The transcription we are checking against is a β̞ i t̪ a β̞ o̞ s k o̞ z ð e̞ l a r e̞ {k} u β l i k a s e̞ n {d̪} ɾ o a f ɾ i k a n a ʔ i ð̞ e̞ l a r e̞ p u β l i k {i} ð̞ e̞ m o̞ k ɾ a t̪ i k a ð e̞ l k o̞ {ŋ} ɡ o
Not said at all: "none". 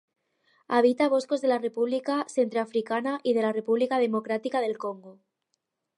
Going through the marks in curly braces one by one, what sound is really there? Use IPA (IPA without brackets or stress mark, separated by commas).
p, t̪, a, ŋ